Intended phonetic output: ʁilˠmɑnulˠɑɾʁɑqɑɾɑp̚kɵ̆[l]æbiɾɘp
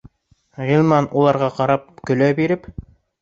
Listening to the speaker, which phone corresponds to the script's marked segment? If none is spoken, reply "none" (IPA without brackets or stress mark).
l